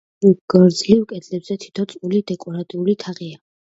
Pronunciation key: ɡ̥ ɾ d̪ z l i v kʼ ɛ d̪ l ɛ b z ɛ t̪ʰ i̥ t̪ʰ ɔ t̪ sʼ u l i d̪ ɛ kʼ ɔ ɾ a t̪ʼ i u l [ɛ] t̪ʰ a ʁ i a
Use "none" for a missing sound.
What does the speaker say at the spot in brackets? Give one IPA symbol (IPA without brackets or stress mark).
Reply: i